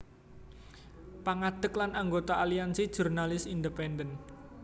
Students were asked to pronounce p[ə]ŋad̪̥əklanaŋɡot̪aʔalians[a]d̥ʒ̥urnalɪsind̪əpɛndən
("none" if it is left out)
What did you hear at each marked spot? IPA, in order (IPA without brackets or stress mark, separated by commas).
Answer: a, i